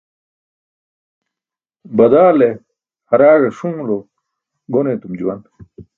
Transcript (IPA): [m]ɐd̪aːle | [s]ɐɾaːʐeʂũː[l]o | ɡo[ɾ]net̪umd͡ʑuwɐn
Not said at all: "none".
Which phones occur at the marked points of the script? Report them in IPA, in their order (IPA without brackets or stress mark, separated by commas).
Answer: b, h, l, none